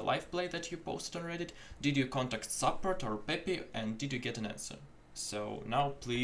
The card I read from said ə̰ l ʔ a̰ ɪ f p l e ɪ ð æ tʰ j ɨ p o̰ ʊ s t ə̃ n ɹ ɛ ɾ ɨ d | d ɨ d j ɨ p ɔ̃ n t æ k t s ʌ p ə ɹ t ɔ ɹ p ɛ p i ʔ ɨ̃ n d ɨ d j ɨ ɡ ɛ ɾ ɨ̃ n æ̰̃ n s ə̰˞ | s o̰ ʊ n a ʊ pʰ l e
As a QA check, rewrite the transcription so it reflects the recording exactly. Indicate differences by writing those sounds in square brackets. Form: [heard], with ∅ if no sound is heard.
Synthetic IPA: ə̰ l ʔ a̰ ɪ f p l e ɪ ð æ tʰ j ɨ p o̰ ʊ s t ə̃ n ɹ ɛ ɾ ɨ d | d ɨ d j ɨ [k] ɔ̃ n t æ k t s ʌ p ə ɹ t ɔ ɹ p ɛ p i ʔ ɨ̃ n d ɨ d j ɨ ɡ ɛ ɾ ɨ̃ n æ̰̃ n s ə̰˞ | s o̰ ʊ n a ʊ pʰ l [i]